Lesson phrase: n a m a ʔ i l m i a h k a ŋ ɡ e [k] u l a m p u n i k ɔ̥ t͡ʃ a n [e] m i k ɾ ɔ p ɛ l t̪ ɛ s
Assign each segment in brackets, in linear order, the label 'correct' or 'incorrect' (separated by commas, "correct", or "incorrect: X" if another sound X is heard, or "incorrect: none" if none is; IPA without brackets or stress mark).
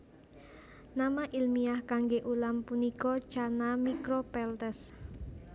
incorrect: ʔ, incorrect: a